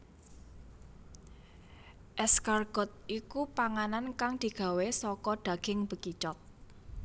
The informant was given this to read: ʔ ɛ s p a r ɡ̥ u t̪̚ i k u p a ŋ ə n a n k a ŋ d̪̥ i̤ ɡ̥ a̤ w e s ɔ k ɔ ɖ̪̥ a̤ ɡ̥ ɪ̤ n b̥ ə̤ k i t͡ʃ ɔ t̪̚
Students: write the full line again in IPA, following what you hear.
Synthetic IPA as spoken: ʔ ɛ s k a r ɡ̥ ɔ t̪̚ i k u p a ŋ a n a n k a ŋ d̪̥ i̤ ɡ̥ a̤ w e s ɔ k ɔ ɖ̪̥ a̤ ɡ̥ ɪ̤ ŋ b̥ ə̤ k i t͡ʃ ɔ t̪̚